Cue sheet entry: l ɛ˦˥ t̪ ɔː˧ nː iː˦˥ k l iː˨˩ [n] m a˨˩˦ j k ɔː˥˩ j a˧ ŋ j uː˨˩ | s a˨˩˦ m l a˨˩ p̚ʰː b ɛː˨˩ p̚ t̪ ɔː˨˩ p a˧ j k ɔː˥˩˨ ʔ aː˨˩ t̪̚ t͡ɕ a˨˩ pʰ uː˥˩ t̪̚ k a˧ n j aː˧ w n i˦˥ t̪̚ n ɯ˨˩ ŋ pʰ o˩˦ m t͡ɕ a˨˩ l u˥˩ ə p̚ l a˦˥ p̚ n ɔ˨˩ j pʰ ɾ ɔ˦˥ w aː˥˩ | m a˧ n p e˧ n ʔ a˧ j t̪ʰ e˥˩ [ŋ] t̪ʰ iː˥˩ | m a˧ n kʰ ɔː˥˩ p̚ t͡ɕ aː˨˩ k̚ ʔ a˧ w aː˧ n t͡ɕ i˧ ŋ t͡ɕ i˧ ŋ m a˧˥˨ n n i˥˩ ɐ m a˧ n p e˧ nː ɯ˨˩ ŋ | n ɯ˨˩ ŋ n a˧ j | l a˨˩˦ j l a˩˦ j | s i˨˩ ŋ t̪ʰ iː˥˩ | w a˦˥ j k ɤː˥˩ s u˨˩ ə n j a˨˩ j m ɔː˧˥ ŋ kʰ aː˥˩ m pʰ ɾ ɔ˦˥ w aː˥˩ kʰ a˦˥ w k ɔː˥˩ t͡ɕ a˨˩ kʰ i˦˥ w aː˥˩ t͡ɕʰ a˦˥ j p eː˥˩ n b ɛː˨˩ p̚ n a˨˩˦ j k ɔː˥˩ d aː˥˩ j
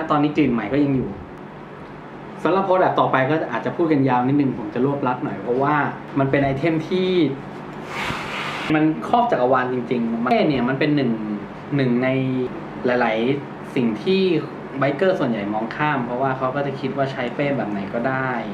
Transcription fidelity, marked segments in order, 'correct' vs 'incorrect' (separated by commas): correct, incorrect